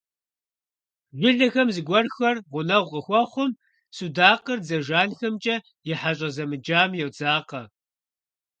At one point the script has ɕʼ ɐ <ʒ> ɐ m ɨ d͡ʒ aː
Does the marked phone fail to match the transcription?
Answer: yes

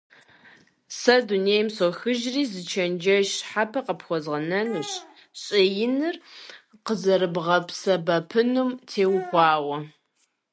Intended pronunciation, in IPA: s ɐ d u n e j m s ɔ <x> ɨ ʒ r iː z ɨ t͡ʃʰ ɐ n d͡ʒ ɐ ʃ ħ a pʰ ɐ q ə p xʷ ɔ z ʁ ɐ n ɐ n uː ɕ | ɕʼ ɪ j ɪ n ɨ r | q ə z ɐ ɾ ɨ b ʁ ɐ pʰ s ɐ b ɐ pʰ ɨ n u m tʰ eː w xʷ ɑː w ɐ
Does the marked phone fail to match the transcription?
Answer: no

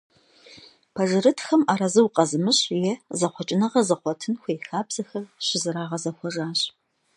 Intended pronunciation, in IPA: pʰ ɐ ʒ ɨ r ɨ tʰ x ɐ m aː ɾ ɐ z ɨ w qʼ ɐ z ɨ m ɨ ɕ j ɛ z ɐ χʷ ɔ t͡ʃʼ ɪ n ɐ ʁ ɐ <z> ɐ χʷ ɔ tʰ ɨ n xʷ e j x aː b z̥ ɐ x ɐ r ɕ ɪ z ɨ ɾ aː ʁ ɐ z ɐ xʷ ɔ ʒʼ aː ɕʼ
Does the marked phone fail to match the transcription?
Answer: no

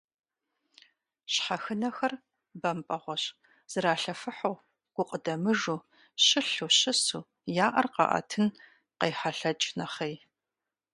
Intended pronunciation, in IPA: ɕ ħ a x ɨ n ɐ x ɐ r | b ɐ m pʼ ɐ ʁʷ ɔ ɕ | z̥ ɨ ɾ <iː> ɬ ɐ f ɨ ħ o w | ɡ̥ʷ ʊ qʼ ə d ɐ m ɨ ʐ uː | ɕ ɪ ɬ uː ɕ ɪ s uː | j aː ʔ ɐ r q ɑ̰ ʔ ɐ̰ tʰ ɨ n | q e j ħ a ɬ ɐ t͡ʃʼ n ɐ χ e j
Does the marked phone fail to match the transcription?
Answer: yes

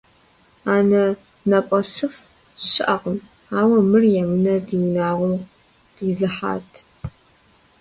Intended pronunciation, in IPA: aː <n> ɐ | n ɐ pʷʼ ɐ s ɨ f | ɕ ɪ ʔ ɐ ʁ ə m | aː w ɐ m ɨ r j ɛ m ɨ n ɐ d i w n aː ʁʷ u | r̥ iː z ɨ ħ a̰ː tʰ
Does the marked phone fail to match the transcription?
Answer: no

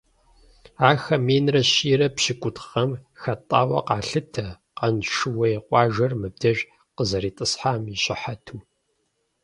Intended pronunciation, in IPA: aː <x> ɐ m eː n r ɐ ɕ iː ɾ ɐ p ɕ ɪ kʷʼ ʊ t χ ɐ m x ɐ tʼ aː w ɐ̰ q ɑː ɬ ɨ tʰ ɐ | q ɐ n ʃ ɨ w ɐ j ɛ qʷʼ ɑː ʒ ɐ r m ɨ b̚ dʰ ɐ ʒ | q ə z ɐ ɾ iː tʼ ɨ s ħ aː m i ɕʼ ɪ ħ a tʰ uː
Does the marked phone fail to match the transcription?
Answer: no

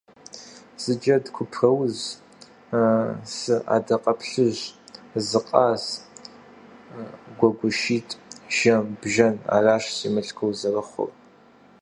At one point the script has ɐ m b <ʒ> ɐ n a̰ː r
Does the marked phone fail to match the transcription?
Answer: no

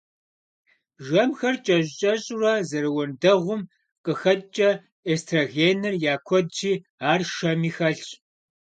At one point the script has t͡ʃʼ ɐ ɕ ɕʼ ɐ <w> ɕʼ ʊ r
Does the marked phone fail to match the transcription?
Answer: yes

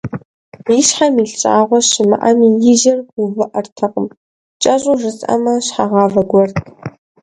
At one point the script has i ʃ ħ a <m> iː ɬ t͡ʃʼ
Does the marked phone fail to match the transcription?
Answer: no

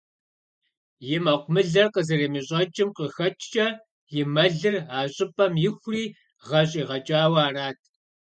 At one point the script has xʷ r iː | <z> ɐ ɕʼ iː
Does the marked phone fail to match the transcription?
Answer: yes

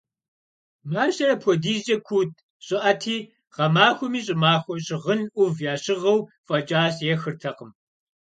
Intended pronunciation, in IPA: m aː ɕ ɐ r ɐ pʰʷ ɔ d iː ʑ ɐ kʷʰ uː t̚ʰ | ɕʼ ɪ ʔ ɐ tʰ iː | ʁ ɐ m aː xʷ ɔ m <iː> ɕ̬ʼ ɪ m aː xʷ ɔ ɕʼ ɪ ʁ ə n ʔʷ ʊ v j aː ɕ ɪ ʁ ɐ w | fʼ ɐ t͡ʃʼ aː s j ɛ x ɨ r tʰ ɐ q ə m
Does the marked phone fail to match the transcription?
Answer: no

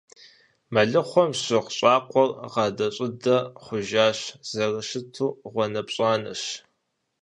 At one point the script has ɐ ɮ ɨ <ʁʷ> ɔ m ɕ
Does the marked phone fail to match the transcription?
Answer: yes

